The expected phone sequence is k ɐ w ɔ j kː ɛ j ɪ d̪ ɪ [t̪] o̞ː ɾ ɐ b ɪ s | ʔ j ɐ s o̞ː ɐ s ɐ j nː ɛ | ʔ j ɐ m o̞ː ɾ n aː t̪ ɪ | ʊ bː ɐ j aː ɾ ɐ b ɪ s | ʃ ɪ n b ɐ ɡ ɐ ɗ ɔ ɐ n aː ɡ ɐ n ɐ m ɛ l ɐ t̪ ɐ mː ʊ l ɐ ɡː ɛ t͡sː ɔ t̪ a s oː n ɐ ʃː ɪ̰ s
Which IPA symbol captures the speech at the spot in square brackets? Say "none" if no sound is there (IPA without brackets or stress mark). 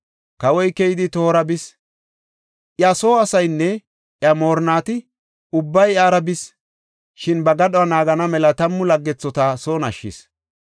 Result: t̪